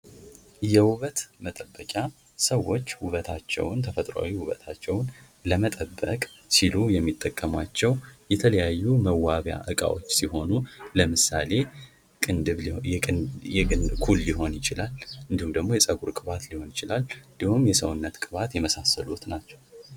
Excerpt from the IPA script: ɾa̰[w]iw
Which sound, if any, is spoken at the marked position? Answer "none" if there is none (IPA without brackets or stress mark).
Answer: w